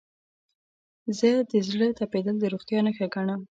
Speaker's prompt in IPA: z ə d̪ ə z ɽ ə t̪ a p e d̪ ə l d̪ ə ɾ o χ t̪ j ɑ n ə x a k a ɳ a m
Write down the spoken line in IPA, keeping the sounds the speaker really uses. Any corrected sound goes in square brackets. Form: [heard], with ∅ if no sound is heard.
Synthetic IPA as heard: z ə d̪ ə z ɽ ə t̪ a p e d̪ ə l d̪ ə ɾ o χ t̪ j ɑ n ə x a [ɡ] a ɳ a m